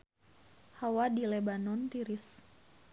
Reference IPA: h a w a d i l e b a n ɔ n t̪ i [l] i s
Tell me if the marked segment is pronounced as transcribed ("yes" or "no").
no